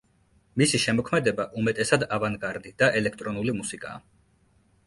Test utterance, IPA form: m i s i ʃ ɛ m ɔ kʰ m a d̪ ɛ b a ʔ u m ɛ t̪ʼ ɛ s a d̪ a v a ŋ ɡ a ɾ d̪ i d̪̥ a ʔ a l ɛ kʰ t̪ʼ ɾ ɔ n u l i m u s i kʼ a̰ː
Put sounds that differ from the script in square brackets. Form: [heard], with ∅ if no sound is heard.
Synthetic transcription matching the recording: m i s i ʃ ɛ m ɔ kʰ m [ɛ] d̪ ɛ b a ʔ u m ɛ t̪ʼ ɛ s a d̪ a v a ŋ ɡ a ɾ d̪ i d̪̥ a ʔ [ɛ] l ɛ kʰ t̪ʼ ɾ ɔ n u l i m u s i kʼ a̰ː